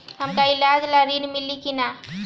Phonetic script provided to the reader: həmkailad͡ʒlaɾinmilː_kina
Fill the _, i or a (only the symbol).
i